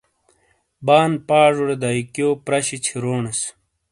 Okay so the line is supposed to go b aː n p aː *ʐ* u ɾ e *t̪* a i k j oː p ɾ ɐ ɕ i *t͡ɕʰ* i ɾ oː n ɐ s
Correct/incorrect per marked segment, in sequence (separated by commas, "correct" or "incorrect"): correct, incorrect, correct